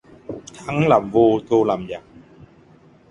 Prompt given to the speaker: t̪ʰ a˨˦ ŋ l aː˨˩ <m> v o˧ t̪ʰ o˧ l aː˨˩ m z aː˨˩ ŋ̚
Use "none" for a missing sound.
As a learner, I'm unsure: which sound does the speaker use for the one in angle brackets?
m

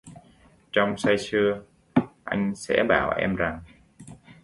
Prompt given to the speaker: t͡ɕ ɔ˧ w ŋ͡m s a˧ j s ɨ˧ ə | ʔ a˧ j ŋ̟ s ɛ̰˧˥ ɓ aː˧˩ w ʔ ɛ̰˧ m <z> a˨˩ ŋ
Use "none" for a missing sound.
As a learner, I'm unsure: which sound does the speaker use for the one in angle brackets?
z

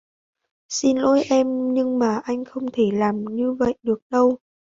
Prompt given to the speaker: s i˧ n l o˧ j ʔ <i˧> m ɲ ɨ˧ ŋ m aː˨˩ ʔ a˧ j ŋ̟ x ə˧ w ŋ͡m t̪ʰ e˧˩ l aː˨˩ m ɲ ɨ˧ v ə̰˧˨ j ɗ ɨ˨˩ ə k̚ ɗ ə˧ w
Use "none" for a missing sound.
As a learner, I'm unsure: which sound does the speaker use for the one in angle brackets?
ɛ˧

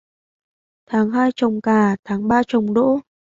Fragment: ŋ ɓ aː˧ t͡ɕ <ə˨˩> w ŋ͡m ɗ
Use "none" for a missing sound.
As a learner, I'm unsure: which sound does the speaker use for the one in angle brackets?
ə˨˩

